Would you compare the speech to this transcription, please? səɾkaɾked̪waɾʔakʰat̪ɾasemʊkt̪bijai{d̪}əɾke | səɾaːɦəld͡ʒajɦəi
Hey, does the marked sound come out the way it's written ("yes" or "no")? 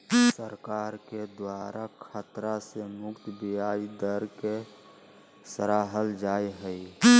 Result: yes